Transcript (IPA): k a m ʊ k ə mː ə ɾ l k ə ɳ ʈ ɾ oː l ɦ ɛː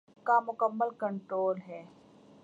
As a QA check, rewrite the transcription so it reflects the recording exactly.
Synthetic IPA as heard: k a m ʊ k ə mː ə l k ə ɳ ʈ ɾ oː l ɦ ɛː